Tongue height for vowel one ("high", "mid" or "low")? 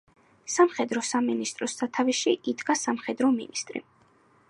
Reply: low